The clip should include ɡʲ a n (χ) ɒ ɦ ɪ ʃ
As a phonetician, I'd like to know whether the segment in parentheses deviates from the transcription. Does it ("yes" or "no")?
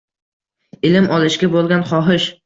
no